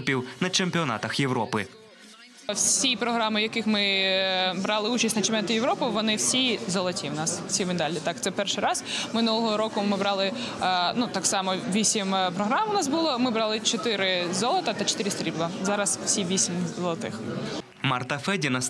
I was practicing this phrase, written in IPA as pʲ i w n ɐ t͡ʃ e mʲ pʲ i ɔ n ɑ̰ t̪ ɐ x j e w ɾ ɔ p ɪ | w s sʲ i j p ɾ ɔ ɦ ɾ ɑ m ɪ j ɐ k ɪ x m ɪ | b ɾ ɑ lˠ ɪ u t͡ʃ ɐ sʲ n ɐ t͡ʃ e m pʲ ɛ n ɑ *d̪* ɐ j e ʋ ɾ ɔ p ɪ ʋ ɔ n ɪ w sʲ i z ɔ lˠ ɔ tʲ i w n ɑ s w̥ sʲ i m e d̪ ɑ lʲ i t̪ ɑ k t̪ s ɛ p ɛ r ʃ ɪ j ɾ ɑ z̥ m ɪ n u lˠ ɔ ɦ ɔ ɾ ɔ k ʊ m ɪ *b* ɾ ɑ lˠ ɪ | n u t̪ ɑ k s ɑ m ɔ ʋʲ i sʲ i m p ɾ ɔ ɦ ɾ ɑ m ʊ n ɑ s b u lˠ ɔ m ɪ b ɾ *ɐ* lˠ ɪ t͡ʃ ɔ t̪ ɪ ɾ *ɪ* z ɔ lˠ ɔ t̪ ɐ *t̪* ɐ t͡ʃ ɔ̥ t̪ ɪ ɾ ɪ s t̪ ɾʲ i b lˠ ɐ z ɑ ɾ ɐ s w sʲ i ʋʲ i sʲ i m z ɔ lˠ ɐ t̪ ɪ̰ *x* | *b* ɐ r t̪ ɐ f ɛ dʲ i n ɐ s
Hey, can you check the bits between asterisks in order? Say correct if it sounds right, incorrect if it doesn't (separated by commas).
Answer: incorrect, correct, incorrect, correct, correct, correct, incorrect